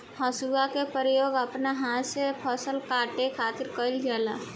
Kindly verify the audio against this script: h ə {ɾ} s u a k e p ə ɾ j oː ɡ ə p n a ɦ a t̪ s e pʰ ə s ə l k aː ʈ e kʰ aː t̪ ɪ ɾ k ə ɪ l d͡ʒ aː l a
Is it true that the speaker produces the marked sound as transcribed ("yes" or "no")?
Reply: no